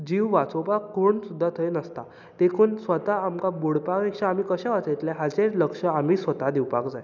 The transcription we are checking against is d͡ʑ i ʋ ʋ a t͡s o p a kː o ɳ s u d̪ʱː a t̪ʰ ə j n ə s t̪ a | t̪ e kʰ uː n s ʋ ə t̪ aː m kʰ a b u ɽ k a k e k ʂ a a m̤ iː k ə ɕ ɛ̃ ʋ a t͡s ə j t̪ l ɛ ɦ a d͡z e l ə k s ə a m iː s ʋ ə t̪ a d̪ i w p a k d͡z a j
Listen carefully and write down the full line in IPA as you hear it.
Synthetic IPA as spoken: d͡ʑ i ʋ ʋ a t͡s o p a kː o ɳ s u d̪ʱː a t̪ʰ ə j n ə s t̪ a | t̪ e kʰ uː n s ʋ ə t̪ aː m k a b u ɽ p a k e k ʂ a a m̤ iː k ə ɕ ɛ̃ ʋ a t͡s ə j t̪ l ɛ ɦ a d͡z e l ə k ʂ ə a m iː s ʋ ə t̪ a d̪ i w p a k d͡z a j